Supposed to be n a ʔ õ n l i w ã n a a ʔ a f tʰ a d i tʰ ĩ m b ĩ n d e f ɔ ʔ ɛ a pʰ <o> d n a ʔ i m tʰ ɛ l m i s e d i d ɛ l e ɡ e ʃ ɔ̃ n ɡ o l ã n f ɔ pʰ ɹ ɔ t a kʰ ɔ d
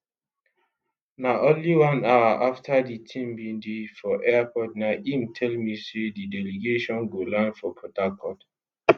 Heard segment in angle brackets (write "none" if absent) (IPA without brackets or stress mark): ɔ